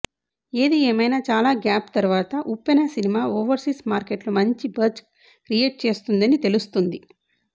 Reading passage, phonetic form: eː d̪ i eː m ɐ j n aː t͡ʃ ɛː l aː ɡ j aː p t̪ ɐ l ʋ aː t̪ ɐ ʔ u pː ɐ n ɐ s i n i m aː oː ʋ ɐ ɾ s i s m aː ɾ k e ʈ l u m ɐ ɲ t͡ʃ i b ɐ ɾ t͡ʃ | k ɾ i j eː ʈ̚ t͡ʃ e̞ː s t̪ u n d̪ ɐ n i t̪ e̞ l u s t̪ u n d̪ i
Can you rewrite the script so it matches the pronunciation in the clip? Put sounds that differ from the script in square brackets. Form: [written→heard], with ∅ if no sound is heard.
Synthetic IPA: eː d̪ i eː m ɐ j n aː t͡ʃ [ɛː→aː] l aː ɡ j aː p t̪ ɐ [l→ɾ] ʋ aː t̪ ɐ ʔ u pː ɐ n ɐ s i n i m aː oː ʋ ɐ ɾ s i s m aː ɾ k e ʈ l u m ɐ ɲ t͡ʃ i b ɐ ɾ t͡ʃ | k ɾ i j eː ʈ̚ t͡ʃ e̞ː s t̪ u n d̪ ɐ n i t̪ e̞ l u s t̪ u n d̪ i